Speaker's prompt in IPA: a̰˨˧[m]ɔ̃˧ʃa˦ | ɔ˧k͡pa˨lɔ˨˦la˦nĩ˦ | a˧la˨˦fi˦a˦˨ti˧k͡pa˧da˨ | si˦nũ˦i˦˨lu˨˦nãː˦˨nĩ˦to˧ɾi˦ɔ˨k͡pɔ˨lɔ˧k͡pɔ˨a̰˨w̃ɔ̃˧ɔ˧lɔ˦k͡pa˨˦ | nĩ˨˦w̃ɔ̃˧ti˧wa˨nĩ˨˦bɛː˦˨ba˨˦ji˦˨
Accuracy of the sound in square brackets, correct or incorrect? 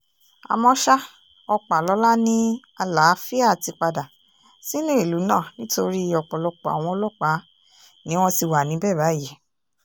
correct